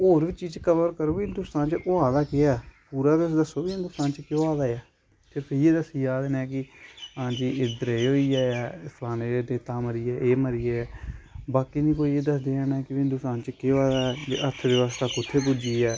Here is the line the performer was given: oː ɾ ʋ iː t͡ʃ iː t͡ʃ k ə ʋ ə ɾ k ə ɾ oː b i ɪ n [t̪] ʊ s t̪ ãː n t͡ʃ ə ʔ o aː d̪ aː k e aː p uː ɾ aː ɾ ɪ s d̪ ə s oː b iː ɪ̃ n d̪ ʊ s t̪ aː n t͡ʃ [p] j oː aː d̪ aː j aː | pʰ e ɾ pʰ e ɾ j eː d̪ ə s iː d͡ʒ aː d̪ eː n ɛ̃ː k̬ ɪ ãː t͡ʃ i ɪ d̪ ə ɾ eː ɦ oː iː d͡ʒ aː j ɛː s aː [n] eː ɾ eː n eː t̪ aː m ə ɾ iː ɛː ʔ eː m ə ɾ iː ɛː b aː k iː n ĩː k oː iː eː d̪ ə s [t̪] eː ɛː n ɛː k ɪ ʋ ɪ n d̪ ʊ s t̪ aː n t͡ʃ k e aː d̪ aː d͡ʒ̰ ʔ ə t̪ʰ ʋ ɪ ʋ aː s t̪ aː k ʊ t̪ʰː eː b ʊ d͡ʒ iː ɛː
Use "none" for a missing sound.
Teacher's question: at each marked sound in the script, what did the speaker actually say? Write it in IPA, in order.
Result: d̪, k, n, d̪

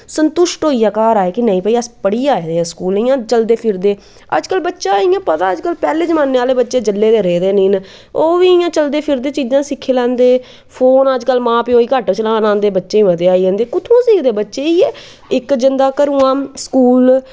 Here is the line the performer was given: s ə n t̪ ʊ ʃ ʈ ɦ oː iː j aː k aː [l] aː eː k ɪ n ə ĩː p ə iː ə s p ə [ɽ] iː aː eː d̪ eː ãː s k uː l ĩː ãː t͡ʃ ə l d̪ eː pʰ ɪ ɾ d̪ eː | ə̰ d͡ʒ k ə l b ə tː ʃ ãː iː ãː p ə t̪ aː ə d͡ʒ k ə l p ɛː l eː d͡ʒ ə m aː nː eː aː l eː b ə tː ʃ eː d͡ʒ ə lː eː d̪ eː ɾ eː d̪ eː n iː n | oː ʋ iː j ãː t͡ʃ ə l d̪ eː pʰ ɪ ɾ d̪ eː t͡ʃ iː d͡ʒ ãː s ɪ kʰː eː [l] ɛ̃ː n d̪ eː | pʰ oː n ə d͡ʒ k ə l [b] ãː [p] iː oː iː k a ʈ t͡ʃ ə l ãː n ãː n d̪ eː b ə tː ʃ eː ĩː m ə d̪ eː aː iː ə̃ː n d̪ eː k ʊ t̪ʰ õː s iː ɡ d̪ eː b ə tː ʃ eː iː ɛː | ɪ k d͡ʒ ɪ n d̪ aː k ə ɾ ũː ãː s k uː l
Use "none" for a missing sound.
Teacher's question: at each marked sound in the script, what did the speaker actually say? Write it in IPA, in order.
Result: ɾ, ɽ, l, m, p

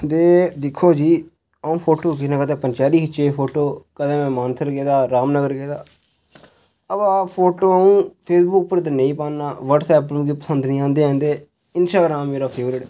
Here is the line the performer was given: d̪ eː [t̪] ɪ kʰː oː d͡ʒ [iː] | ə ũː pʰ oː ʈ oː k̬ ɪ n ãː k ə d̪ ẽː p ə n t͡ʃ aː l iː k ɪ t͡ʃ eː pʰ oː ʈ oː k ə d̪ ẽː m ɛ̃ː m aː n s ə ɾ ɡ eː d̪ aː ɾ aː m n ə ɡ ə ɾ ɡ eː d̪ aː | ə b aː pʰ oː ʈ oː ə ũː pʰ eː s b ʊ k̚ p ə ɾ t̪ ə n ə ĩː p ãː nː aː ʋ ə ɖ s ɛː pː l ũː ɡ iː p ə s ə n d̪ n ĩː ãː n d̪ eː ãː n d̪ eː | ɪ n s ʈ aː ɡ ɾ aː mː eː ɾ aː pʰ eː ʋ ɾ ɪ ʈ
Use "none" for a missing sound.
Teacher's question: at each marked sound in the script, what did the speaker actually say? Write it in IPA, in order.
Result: d̪, iː

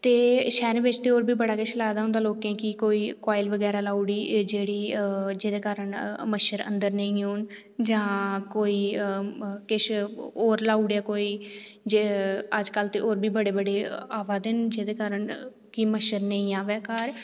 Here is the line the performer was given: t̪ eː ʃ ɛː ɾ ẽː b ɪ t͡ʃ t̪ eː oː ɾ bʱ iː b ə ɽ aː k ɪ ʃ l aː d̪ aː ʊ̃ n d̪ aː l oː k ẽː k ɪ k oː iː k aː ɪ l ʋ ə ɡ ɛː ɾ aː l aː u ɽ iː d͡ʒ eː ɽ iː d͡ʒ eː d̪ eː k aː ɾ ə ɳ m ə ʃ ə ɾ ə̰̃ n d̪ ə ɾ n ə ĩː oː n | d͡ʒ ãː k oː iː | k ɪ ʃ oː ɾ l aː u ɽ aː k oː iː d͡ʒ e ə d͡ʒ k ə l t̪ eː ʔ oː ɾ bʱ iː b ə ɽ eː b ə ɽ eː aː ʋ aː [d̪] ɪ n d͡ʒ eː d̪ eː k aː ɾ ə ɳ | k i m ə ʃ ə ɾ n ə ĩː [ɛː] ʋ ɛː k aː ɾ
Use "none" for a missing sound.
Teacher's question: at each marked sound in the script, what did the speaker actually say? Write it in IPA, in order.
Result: d̪, aː

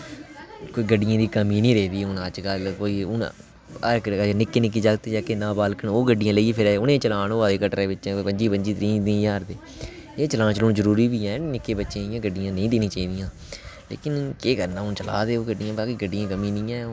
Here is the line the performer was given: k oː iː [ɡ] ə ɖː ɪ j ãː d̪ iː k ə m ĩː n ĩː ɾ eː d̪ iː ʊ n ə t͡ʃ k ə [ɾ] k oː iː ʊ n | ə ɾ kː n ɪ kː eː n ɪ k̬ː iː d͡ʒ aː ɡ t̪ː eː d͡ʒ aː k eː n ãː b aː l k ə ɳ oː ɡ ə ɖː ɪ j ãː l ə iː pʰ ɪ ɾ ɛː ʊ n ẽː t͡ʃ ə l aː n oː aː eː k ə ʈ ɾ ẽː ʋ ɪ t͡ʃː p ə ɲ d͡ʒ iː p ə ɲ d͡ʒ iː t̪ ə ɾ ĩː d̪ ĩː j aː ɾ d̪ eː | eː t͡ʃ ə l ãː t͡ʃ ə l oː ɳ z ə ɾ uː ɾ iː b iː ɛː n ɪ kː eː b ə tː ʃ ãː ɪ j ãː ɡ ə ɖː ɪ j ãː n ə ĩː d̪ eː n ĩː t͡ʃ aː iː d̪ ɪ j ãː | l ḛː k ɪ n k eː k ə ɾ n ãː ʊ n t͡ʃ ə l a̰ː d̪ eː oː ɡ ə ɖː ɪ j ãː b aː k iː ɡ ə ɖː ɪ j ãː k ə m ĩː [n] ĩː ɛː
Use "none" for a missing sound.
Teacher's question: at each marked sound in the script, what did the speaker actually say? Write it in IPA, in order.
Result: ɡ, l, n

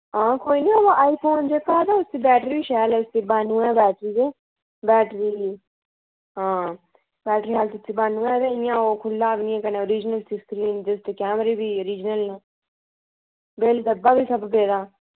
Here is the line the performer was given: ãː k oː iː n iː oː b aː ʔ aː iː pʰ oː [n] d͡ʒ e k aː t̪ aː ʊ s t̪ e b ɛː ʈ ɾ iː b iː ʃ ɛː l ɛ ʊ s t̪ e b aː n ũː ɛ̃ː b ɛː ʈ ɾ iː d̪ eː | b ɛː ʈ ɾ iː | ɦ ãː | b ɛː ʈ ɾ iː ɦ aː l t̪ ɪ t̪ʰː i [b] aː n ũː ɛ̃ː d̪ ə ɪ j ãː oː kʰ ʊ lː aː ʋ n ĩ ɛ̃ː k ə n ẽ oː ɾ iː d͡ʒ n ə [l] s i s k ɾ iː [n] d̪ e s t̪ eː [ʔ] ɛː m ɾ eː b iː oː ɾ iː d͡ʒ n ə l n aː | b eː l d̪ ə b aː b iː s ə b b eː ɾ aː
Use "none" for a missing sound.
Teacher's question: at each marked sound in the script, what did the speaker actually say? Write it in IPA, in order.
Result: n, b, l, n, k

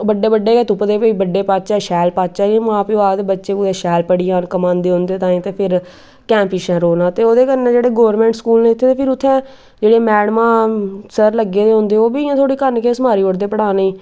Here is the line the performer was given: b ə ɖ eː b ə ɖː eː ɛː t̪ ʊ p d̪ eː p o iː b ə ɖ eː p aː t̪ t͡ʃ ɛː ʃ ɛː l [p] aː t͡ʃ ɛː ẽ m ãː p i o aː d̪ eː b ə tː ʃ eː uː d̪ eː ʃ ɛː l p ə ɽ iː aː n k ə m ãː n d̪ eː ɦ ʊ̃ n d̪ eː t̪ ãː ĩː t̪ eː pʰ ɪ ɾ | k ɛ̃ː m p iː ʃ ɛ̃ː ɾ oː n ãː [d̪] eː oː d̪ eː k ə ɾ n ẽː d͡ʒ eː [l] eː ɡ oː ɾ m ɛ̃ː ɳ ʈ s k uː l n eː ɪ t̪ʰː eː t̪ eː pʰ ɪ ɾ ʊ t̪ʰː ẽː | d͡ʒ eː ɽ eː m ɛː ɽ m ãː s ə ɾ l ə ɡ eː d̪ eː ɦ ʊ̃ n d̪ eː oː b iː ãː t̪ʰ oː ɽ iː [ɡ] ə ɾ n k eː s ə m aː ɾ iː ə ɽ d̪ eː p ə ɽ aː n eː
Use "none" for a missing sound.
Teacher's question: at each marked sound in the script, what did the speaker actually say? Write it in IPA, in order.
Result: p, t̪, ɽ, k

